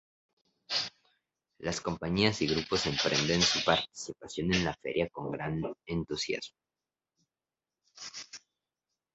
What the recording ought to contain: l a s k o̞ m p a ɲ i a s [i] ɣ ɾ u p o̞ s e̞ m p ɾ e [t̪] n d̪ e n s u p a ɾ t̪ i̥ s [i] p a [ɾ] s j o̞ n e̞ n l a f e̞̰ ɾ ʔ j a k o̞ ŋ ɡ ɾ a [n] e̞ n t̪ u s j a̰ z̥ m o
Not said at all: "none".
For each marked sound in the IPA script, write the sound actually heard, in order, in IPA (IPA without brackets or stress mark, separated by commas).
i, none, i, none, n